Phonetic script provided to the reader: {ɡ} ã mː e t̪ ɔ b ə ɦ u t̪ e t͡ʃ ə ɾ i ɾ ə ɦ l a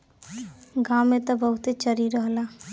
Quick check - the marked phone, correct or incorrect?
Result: correct